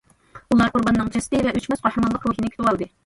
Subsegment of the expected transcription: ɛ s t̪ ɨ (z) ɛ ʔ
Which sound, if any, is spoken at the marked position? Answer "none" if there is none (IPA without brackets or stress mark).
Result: v